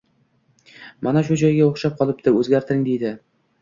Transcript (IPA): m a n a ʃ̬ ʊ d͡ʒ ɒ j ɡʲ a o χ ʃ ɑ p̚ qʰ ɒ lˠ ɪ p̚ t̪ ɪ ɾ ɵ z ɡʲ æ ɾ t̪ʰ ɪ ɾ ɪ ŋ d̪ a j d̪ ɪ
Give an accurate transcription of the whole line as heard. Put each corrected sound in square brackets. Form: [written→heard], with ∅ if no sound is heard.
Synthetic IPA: m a n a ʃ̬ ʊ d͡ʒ ɒ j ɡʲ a o χ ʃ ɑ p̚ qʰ ɒ lˠ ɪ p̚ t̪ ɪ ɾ ɵ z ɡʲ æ ɾ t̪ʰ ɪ ɾ ɪ ŋ d̪ [a→e] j d̪ ɪ